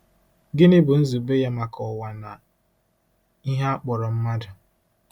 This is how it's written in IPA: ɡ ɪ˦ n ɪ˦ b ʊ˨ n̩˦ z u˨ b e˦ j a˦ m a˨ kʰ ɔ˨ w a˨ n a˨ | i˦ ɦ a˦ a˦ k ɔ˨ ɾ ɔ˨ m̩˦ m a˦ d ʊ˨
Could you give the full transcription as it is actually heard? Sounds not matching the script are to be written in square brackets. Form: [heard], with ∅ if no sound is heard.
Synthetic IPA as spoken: ɡ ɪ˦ n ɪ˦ b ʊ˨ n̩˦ z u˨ b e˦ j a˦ m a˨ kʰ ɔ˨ w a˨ n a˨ | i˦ ɦ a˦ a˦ [k͡p] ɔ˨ ɾ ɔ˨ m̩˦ m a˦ d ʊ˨